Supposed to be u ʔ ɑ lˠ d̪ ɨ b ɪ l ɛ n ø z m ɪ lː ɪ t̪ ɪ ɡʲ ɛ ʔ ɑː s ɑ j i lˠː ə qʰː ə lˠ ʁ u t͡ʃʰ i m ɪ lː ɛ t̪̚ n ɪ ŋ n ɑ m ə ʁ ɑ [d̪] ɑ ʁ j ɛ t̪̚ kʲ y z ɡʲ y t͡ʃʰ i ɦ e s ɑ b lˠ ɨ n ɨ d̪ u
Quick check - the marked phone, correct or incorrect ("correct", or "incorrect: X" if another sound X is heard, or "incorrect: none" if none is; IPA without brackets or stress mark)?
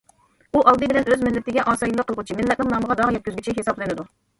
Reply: correct